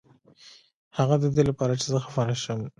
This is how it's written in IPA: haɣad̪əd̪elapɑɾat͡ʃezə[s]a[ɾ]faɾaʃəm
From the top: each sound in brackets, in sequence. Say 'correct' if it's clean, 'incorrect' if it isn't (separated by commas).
incorrect, incorrect